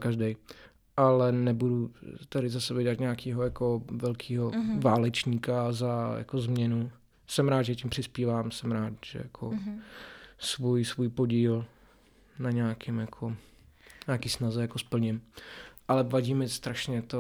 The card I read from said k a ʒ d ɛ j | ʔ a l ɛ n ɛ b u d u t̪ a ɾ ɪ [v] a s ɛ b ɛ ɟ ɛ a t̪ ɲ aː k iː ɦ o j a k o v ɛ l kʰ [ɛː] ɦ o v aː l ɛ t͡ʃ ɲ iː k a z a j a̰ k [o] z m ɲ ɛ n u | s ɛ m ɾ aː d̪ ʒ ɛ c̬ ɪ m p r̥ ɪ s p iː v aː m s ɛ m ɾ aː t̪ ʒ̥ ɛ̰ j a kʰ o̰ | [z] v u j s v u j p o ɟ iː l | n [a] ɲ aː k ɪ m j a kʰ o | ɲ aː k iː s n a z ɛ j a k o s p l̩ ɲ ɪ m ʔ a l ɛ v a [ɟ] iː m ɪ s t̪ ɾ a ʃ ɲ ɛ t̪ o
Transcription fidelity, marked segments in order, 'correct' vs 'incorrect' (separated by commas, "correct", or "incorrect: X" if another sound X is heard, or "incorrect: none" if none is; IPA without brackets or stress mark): incorrect: z, incorrect: iː, correct, incorrect: s, correct, correct